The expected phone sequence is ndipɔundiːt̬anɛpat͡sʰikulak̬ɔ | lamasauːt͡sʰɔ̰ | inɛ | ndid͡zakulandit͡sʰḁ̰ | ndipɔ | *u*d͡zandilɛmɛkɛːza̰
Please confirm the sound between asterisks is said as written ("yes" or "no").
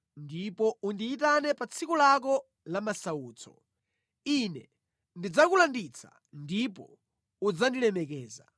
yes